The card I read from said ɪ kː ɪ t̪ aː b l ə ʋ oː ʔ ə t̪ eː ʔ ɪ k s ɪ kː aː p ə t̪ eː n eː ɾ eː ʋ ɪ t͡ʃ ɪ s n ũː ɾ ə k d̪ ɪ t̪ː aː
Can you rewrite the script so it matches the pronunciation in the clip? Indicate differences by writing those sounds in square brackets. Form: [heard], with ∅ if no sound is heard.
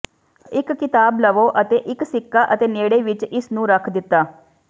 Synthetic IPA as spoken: ɪ kː ɪ t̪ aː b l ə ʋ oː ʔ ə t̪ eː ʔ ɪ k s ɪ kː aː [ʔ] ə t̪ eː n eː [ɽ] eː ʋ ɪ t͡ʃ ɪ s n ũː ɾ ə [kʰ] d̪ ɪ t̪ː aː